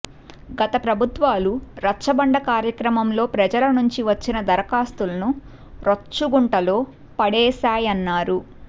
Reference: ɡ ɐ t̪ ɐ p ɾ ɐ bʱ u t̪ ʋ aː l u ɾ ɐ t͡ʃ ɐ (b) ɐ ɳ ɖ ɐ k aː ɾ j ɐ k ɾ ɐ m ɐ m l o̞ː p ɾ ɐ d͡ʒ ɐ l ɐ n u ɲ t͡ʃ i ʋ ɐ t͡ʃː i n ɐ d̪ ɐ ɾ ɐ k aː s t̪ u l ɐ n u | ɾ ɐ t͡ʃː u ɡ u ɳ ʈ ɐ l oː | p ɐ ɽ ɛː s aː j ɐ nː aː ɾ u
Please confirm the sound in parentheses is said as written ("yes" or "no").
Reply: yes